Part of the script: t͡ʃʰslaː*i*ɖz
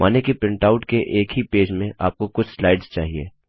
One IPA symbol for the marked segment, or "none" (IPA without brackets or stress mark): ɪ